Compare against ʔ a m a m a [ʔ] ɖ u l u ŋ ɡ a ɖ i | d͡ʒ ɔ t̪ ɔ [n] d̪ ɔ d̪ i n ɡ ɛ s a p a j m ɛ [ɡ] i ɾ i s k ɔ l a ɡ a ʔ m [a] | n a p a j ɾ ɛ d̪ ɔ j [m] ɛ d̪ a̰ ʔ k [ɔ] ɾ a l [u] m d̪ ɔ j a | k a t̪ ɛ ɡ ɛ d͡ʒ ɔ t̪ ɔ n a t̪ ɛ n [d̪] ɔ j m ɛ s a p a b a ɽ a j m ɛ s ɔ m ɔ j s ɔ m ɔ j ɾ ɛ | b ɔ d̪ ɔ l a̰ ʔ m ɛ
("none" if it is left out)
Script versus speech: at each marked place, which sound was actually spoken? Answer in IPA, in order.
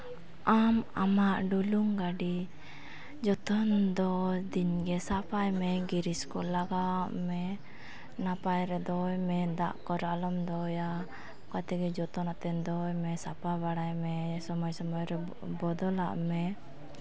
ʔ, n, ɡ, ɛ, m, ɔ, ɔ, d̪

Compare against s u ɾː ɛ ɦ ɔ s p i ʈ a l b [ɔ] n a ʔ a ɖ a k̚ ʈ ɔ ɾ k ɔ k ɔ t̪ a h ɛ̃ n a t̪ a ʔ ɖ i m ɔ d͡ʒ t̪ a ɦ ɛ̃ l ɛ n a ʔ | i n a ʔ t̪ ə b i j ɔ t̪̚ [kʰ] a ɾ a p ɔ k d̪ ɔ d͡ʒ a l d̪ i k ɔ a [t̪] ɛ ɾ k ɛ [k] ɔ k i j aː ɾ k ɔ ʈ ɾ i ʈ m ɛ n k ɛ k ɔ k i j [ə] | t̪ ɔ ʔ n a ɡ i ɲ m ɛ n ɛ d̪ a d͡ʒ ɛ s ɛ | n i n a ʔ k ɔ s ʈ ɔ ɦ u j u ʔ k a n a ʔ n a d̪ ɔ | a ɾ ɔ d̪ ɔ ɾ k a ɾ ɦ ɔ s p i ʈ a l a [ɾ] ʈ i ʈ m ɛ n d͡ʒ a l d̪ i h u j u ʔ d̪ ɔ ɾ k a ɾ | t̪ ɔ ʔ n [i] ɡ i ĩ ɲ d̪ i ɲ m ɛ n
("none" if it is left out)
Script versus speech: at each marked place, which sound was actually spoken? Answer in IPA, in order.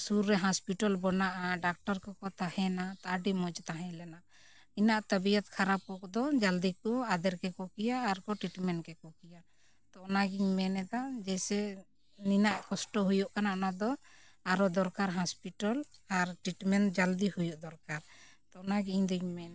ɔ, kʰ, d̪, k, a, ɾ, a

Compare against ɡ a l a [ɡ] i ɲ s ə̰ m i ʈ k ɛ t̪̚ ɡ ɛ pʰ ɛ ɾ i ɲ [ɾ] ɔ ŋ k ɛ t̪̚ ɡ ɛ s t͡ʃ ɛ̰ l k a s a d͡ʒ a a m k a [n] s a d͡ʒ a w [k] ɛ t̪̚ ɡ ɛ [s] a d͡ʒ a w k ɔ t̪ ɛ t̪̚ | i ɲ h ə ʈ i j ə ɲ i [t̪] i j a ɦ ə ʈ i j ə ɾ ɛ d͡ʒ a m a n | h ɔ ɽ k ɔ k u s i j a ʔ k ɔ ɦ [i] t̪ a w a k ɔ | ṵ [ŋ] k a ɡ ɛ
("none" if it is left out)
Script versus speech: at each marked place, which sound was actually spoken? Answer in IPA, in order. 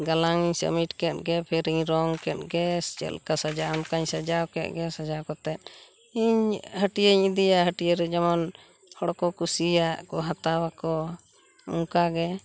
ŋ, ɾ, ɲ, k, s, d̪, a, ŋ

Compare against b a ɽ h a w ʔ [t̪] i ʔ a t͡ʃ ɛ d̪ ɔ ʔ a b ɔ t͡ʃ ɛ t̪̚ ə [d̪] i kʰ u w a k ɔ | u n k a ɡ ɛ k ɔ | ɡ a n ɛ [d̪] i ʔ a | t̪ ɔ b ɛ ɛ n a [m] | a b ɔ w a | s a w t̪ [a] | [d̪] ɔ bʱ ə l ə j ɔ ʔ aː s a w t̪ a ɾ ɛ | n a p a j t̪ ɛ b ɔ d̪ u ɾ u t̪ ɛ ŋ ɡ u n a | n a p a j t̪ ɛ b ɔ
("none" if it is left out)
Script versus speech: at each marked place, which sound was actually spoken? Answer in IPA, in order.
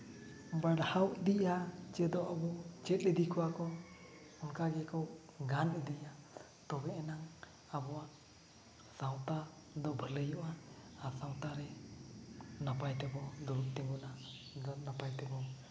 d̪, d̪, d̪, ŋ, a, d̪

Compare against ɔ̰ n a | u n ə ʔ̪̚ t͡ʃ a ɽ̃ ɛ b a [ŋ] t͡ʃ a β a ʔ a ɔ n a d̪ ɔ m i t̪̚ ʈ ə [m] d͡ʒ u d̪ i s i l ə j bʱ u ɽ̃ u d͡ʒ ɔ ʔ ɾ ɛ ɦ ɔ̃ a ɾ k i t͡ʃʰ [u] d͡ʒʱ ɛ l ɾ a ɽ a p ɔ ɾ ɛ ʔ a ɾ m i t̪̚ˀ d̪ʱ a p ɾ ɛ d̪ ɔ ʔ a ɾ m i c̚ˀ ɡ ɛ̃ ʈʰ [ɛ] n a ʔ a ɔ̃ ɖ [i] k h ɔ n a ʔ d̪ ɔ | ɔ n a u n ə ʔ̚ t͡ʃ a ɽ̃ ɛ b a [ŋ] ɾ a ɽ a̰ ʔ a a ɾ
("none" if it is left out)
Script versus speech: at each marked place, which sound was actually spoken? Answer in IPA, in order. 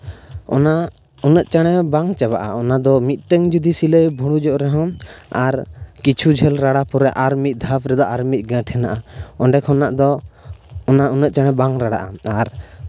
ŋ, ŋ, u, ɛ, ɛ, ŋ

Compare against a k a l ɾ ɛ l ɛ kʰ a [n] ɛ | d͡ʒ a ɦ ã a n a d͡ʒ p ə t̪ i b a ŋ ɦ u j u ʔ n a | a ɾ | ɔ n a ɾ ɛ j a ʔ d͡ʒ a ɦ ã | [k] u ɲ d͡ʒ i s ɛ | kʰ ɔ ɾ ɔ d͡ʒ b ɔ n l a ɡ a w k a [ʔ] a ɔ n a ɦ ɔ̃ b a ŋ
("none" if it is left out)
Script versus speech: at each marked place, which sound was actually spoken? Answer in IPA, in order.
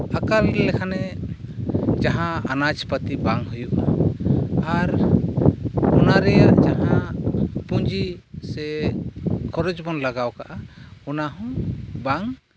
n, p, ʔ

